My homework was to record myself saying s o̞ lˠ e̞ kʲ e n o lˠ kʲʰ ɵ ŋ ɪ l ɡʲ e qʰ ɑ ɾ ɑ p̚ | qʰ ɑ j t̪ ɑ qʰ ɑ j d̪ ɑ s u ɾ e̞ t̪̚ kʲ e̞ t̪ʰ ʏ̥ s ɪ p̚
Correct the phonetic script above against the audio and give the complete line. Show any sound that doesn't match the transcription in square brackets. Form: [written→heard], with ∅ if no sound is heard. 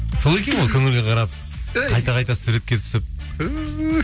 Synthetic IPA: s o̞ lˠ e̞ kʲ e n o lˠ kʲʰ ɵ ŋ ɪ l ɡʲ e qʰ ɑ ɾ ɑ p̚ | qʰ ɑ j t̪ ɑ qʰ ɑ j [d̪→t̪] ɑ s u ɾ e̞ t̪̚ kʲ e̞ t̪ʰ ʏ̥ s ɪ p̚

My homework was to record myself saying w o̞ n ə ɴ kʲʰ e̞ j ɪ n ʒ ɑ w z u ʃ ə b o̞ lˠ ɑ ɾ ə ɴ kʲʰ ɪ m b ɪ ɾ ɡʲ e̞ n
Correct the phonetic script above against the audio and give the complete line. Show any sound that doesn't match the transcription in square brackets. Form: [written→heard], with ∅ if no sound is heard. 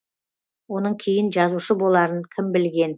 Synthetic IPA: w o̞ n ə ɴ kʲʰ e̞ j ɪ n ʒ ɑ [w→∅] z u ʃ ə b o̞ lˠ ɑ ɾ ə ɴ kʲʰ ɪ m b ɪ [ɾ→l] ɡʲ e̞ n

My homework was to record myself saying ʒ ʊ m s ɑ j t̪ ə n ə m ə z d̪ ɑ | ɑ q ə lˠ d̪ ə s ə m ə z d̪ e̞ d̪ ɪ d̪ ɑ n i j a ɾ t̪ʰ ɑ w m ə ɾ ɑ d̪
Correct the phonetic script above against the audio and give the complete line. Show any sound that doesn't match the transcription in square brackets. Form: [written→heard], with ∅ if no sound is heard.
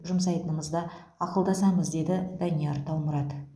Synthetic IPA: ʒ ʊ m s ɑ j t̪ ə n ə m ə z d̪ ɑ | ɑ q ə lˠ d̪ [ə→ɑ] s [ə→ɑ] m ə z d̪ e̞ d̪ ɪ d̪ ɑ n i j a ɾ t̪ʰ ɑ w m ə ɾ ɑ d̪

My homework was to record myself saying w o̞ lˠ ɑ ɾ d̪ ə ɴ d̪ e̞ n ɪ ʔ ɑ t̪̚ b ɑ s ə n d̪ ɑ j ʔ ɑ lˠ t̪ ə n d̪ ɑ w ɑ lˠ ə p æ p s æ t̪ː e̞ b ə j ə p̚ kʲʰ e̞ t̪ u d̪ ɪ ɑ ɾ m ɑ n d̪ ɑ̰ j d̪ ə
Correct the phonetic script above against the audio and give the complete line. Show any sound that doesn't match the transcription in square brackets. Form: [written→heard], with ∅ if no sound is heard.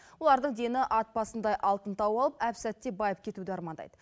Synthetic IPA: w o̞ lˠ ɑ ɾ d̪ ə ɴ d̪ e̞ n ɪ ʔ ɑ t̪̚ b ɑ s ə n d̪ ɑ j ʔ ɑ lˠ t̪ ə n [d̪→t̪] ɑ w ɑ lˠ ə p æ p s æ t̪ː e̞ b [ə→ɑ] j ə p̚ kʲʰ e̞ t̪ u d̪ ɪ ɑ ɾ m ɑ n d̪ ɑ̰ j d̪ ə

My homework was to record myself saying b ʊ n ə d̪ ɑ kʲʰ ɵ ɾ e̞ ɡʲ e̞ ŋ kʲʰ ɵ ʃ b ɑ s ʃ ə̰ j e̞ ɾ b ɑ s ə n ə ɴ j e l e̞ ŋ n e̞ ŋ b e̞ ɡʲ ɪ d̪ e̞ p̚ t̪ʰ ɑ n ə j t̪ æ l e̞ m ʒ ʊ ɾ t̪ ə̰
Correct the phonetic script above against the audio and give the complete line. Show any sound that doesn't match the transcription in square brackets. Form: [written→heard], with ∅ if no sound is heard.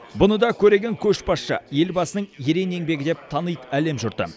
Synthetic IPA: b ʊ n ə d̪ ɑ kʲʰ ɵ ɾ e̞ ɡʲ e̞ ŋ kʲʰ ɵ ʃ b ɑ s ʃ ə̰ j e̞ [ɾ→l] b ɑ s ə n ə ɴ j e [l→ɾ] e̞ [ŋ→∅] n e̞ ŋ b e̞ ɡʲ ɪ d̪ e̞ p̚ t̪ʰ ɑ n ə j t̪ æ l e̞ m ʒ ʊ ɾ t̪ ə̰

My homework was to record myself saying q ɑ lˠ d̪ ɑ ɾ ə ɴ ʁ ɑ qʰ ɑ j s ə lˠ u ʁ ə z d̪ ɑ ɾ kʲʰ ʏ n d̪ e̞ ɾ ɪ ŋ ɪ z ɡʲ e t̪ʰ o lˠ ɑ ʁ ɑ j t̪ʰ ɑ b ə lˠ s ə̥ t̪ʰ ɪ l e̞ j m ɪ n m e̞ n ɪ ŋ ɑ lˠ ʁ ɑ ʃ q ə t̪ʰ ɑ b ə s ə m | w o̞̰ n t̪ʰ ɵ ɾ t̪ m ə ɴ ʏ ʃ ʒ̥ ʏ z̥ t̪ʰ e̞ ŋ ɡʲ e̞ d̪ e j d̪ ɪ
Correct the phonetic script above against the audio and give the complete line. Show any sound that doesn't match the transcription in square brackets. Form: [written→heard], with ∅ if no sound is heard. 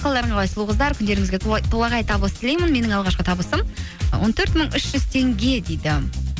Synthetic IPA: q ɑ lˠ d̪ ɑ ɾ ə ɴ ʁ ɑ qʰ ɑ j s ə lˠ u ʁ ə z d̪ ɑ ɾ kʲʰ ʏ n d̪ e̞ ɾ ɪ ŋ ɪ z ɡʲ e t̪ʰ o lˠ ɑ ʁ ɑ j t̪ʰ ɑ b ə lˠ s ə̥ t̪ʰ ɪ l e̞ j m ɪ n m e̞ n ɪ ŋ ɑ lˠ ʁ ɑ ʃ q ə t̪ʰ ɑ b ə s ə m | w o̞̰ n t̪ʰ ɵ ɾ t̪ m ə ɴ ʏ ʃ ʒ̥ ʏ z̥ t̪ʰ e̞ ŋ ɡʲ e̞ d̪ e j d̪ ɪ

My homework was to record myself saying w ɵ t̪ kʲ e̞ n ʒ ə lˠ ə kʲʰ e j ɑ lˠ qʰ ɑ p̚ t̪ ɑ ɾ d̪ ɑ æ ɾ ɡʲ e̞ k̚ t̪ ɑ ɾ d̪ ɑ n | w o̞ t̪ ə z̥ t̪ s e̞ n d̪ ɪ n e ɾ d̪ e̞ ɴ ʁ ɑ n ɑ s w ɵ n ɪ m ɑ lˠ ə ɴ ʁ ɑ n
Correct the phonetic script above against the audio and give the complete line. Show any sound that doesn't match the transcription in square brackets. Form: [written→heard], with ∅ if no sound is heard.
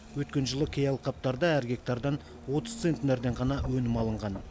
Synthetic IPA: w ɵ t̪ kʲ e̞ n ʒ ə lˠ ə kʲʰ e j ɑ lˠ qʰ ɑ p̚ t̪ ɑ ɾ d̪ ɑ æ ɾ ɡʲ e̞ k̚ t̪ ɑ ɾ d̪ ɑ n | w o̞ t̪ ə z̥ t̪ s e̞ n [d̪→t̪] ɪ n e ɾ d̪ e̞ ɴ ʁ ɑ n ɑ [s→∅] w ɵ n ɪ m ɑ lˠ ə ɴ ʁ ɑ n

